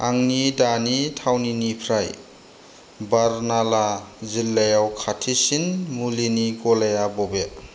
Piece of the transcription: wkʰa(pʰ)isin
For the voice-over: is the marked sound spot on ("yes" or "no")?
no